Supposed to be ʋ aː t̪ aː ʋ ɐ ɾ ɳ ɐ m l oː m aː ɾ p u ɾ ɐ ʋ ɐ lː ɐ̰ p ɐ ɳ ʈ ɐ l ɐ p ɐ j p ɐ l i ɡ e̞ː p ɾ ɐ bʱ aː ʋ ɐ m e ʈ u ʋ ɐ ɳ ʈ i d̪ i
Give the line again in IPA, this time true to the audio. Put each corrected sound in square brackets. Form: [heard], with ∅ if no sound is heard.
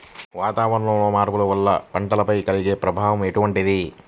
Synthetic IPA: ʋ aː t̪ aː ʋ ɐ ɾ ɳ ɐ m l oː m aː ɾ p u [l] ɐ ʋ ɐ lː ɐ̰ p ɐ ɳ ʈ ɐ l ɐ p ɐ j [k] ɐ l i ɡ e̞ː p ɾ ɐ bʱ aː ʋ ɐ m e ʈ u ʋ ɐ ɳ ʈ i d̪ i